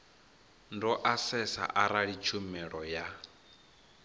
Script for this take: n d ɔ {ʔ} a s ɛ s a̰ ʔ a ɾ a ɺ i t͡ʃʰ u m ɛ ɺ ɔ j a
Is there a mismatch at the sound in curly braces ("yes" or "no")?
no